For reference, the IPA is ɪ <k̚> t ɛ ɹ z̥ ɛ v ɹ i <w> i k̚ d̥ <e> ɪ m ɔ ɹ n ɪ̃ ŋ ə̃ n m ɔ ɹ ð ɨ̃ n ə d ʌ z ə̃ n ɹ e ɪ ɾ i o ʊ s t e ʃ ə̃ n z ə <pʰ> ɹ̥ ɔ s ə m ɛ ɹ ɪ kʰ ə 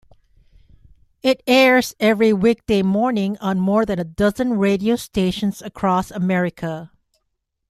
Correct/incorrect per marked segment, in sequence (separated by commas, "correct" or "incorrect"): incorrect, correct, correct, incorrect